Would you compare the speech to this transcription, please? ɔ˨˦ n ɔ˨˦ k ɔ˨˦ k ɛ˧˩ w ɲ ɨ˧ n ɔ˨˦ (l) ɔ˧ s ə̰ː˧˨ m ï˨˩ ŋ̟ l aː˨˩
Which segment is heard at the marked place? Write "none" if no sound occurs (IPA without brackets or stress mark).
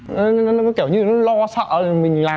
l